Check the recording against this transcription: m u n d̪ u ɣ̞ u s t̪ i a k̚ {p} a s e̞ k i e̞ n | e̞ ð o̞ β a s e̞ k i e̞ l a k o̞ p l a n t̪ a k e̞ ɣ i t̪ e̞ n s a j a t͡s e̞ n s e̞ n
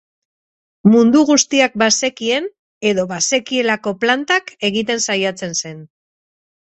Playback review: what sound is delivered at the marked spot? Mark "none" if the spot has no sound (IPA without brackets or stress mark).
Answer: b